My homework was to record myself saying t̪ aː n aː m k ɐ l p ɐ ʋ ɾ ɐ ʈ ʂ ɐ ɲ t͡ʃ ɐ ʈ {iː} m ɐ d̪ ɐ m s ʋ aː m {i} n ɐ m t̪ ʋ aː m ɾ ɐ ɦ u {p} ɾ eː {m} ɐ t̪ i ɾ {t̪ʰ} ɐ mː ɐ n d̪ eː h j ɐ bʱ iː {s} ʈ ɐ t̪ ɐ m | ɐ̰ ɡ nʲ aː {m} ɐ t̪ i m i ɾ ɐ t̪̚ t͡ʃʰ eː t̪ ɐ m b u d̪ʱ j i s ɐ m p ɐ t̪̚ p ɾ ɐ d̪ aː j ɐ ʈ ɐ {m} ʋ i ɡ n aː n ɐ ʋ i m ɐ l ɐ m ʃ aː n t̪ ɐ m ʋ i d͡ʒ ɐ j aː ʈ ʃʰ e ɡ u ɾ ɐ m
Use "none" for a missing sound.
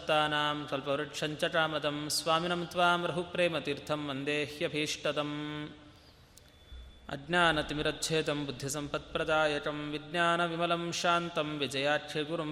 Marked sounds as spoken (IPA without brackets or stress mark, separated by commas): aː, i, p, m, t̪ʰ, ʂ, n, m